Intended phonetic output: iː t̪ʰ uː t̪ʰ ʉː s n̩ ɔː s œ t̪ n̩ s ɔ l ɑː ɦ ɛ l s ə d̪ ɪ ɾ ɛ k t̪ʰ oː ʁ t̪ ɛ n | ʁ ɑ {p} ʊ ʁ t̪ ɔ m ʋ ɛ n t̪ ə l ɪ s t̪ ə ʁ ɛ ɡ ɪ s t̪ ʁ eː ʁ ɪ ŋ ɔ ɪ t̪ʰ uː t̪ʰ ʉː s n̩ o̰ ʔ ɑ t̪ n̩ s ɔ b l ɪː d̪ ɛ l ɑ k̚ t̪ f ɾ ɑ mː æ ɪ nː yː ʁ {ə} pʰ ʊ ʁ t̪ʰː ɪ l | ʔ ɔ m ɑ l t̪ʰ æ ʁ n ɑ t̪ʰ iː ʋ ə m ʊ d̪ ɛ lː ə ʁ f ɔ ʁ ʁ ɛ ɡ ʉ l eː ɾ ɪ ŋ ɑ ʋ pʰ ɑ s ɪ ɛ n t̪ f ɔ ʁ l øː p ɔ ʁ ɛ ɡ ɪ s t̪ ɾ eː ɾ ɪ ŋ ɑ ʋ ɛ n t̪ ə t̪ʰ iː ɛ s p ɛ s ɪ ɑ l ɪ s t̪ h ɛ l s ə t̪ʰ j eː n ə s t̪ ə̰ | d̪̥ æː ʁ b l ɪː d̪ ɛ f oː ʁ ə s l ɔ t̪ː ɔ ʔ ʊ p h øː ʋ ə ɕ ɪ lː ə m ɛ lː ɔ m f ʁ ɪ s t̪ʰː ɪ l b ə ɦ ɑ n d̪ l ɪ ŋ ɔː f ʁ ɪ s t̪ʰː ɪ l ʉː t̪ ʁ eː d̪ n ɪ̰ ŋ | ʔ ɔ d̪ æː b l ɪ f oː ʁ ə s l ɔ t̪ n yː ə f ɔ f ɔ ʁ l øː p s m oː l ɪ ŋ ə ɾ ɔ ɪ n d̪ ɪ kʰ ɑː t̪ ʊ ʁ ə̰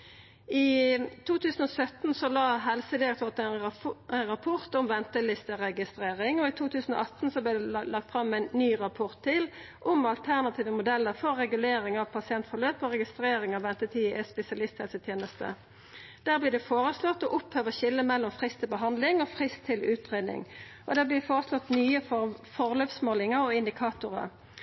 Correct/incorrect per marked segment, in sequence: incorrect: pʰ, incorrect: ɑ

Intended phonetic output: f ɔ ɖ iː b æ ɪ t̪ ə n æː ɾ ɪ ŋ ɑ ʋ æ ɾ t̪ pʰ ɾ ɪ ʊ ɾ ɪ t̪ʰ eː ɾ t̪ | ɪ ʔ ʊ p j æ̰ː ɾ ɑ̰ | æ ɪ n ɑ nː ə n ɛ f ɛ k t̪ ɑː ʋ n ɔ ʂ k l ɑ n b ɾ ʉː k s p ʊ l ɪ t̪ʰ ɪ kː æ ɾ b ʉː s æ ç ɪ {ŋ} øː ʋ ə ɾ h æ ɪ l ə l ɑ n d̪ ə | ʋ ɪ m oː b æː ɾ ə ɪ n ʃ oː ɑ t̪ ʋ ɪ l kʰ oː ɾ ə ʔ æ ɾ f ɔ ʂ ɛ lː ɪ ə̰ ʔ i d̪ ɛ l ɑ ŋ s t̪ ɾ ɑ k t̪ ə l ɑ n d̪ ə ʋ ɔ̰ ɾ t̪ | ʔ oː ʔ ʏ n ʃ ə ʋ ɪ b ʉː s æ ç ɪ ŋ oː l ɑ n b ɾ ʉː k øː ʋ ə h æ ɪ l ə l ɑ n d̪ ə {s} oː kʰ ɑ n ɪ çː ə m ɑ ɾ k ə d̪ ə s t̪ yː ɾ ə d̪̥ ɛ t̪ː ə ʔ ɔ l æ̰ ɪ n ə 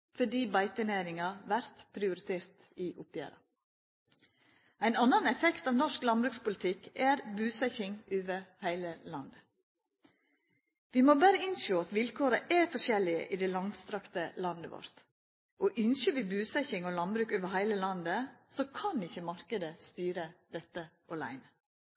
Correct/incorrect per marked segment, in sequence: correct, correct

